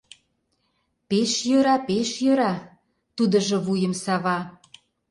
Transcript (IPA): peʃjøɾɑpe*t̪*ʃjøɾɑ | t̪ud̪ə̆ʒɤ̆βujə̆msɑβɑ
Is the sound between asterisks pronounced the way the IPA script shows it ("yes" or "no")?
no